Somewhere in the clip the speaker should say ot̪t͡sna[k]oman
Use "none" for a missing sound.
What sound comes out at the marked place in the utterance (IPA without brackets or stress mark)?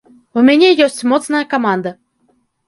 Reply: k